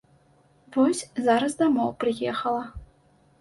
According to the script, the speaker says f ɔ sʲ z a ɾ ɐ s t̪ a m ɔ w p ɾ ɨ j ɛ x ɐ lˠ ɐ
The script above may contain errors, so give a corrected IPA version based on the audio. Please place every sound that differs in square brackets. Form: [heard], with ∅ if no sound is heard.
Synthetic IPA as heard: [v] ɔ sʲ z a ɾ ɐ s [d̪] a m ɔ w p ɾ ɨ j ɛ x ɐ lˠ ɐ